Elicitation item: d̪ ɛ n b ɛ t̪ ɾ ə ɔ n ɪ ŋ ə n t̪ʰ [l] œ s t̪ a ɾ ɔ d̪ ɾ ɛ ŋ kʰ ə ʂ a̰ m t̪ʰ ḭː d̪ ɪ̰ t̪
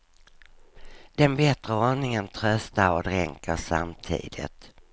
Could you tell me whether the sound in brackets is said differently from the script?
yes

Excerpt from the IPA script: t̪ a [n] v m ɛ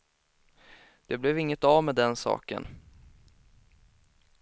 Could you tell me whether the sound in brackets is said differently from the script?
yes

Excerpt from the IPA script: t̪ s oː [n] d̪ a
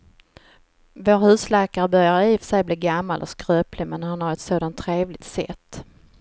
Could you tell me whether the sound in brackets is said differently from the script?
yes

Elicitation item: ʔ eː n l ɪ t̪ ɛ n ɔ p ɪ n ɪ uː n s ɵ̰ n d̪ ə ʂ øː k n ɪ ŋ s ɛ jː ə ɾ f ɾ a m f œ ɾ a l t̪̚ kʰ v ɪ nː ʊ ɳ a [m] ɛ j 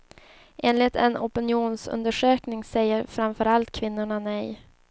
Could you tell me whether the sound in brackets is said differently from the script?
yes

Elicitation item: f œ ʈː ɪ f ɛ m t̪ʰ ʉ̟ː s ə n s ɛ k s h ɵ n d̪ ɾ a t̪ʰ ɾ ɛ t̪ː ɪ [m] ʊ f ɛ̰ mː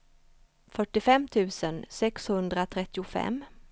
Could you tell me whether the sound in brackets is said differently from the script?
yes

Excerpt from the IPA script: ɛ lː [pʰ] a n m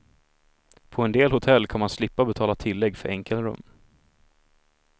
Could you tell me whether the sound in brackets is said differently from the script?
yes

